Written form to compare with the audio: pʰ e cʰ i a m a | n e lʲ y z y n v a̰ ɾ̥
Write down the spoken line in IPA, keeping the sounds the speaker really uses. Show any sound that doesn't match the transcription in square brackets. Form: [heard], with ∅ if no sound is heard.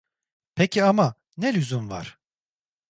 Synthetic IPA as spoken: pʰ e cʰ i a m a | n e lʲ y z y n v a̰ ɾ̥